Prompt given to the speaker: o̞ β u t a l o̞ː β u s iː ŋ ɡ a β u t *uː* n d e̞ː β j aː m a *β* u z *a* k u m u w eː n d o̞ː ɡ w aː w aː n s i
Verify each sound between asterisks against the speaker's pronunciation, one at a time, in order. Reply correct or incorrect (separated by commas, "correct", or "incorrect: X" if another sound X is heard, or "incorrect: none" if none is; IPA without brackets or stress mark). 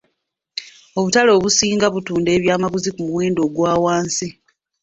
correct, correct, incorrect: i